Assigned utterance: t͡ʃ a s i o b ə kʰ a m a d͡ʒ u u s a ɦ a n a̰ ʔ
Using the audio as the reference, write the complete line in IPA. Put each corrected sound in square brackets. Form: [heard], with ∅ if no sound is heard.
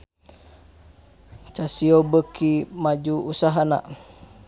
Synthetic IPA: t͡ʃ a s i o b ə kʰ [i] m a d͡ʒ u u s a ɦ a n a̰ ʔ